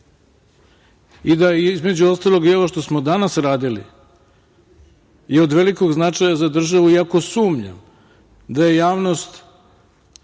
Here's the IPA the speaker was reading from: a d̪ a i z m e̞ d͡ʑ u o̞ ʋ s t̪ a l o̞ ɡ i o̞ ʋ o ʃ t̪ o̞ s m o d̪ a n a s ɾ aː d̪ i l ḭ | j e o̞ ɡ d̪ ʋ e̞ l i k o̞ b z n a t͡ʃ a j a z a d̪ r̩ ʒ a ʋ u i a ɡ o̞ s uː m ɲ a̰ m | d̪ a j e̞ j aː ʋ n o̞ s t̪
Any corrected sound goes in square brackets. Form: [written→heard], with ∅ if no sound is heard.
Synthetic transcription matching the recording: [a→i] d̪ a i z m e̞ d͡ʑ u o̞ [ʋ→∅] s t̪ a l o̞ ɡ i o̞ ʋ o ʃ t̪ o̞ s m o d̪ a n a s ɾ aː d̪ i l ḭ | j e o̞ [ɡ→∅] d̪ ʋ e̞ l i k o̞ [b→ɡ] z n a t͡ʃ a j a z a d̪ r̩ ʒ a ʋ u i a [ɡ→k] o̞ s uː m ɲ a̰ m | d̪ a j e̞ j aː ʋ n o̞ s t̪